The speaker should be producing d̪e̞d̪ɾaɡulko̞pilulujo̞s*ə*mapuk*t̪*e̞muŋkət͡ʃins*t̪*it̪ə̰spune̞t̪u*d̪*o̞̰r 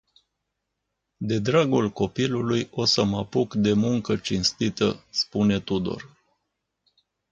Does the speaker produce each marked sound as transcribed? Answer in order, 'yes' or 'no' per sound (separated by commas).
yes, no, yes, yes